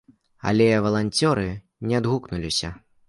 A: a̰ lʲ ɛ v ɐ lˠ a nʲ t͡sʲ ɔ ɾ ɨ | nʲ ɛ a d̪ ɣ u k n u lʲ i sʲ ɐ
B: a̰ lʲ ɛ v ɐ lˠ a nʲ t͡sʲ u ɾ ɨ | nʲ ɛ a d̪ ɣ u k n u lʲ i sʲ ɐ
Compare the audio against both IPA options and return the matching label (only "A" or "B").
A